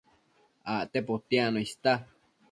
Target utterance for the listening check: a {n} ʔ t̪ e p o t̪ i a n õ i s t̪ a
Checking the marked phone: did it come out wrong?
yes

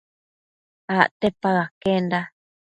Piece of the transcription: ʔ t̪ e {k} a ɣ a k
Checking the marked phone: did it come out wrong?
yes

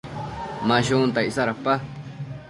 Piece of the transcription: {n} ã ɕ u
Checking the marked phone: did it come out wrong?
yes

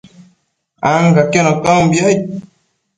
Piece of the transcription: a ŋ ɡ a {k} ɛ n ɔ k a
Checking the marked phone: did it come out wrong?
no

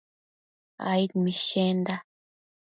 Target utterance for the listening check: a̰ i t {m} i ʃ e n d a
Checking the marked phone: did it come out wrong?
no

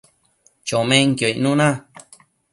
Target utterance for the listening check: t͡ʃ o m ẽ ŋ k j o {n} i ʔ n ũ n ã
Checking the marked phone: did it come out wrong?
yes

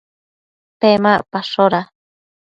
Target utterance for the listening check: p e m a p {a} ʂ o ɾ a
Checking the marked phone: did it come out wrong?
no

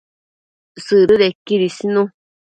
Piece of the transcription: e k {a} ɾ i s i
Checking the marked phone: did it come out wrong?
yes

